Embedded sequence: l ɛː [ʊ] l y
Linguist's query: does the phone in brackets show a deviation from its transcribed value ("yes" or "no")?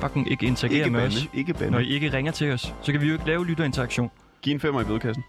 no